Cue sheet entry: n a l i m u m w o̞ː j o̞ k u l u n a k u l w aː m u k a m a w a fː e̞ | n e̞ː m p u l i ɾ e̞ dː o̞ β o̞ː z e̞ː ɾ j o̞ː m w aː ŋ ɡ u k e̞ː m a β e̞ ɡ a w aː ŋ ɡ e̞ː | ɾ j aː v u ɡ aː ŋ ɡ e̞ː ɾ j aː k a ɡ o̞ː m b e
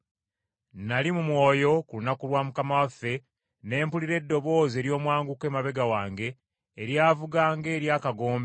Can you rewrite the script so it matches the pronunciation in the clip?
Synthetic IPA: n a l i m u m w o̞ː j o̞ k u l u n a k u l w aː m u k a m a w a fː e̞ | n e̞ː m p u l i ɾ e̞ dː o̞ β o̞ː z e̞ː ɾ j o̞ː m w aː ŋ ɡ u k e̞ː m a β e̞ ɡ a w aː ŋ ɡ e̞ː | ɾ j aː v u ɡ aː ŋ ɡ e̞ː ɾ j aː k a ɡ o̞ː m b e